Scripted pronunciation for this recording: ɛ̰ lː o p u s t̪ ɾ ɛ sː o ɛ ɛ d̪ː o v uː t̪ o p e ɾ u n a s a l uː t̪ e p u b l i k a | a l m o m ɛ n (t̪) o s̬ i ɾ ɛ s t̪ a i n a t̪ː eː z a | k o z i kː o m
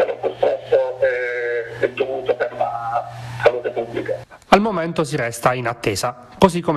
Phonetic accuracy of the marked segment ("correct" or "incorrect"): correct